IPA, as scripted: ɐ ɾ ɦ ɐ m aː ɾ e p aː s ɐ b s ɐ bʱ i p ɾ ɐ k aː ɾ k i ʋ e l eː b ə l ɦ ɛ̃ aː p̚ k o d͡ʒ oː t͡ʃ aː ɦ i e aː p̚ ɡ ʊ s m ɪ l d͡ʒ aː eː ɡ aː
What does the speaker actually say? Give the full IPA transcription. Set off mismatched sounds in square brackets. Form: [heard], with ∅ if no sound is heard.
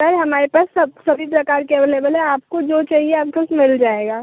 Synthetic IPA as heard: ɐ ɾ ɦ ɐ m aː ɾ e p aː s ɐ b s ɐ bʱ i p ɾ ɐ k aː ɾ k [e] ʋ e l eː b ə l ɦ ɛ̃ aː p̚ k o d͡ʒ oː t͡ʃ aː ɦ i e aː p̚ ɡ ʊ s m ɪ l d͡ʒ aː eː ɡ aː